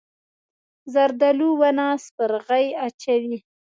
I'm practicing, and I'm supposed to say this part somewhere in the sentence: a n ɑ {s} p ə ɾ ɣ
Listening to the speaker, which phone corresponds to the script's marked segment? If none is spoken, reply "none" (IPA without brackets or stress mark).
s